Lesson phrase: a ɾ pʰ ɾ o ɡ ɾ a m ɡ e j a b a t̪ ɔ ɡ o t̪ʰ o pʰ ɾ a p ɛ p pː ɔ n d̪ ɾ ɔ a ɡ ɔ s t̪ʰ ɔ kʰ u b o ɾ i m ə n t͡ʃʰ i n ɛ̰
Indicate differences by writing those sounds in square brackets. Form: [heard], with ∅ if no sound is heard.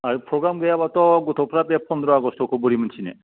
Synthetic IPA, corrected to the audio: a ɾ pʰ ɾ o ɡ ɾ a m ɡ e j a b a t̪ ɔ ɡ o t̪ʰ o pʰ ɾ a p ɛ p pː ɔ n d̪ ɾ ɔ a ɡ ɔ s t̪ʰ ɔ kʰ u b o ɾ i m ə n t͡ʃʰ i n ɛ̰

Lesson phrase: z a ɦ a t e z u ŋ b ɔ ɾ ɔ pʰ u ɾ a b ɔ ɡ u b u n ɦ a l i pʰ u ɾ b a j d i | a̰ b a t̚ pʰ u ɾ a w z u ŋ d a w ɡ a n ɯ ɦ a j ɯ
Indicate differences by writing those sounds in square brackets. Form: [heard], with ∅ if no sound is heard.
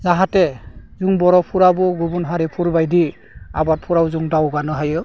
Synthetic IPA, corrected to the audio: z a ɦ a t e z u ŋ b ɔ ɾ ɔ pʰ u ɾ a b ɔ ɡ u b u n ɦ a [ɾ] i pʰ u ɾ b a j d i | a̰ b a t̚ pʰ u ɾ a w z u ŋ d a w ɡ a n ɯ ɦ a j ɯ

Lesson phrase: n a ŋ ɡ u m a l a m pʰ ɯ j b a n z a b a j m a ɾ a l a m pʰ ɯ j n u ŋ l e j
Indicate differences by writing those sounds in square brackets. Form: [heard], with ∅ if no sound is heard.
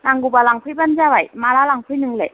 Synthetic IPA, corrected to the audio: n a ŋ ɡ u [b] a l a [ŋ] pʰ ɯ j b a n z a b a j m a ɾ a l a [ŋ] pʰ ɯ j n [ɯ] ŋ l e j

